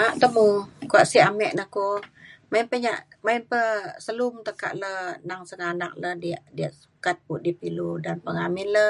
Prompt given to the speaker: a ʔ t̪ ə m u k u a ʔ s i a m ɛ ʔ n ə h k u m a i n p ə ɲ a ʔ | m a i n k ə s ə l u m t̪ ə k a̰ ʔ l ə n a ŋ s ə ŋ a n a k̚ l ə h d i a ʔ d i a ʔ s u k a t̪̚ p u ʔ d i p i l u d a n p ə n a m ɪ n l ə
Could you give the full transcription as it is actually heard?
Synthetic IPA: a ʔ t̪ ə m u k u a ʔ s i a m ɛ ʔ n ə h k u m a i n p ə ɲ a ʔ | m a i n p ə s ə l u m t̪ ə k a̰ ʔ l ə n a ŋ s ə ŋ a n a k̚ l ə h d i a ʔ d i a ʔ s u k a t̪̚ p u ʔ d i p i l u d a n p ə ŋ a m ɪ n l ə